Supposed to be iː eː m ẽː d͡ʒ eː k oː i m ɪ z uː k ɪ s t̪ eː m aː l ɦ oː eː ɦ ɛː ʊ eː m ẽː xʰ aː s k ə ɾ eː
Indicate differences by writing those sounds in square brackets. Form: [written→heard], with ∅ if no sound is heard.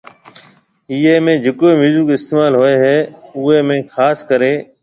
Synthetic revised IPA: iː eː m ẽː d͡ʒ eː k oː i m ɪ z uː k ɪ s t̪ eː m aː l ɦ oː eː ɦ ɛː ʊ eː m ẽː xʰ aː s k ə ɾ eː